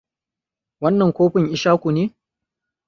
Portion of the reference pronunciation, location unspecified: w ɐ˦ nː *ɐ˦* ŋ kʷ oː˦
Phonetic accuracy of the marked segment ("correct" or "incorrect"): incorrect